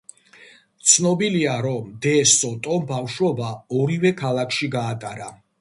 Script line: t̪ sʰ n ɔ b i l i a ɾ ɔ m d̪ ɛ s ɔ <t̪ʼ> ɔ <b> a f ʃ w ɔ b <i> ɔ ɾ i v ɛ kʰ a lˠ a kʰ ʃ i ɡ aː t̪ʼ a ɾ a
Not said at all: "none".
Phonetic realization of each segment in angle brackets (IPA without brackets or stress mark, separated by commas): t̪ʼ, b, a